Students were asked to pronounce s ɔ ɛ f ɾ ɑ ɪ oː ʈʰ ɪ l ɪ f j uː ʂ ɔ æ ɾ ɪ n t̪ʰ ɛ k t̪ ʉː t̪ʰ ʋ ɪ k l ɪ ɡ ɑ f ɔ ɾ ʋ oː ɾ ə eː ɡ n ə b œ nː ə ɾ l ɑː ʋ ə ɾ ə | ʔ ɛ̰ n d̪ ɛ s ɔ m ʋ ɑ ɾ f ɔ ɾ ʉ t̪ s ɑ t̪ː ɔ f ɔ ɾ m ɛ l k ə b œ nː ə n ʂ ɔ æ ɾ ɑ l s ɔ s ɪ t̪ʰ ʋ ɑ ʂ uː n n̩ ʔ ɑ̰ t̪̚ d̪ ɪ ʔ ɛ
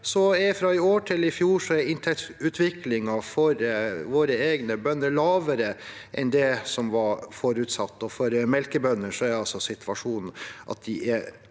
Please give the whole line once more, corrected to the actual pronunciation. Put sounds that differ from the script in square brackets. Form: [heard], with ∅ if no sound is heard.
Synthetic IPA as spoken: s ɔ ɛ f ɾ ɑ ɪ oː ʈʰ ɪ l ɪ f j uː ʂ ɔ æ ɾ ɪ n t̪ʰ ɛ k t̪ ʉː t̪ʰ ʋ ɪ k l ɪ [ŋ] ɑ f ɔ ɾ ʋ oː ɾ ə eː ɡ n ə b œ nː ə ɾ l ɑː ʋ ə ɾ ə | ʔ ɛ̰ n d̪ ɛ s ɔ m ʋ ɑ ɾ f ɔ ɾ ʉ t̪ s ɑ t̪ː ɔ f ɔ ɾ m ɛ l k ə b œ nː ə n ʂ ɔ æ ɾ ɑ l s ɔ s ɪ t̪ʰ ʋ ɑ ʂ uː n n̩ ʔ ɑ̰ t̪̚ d̪ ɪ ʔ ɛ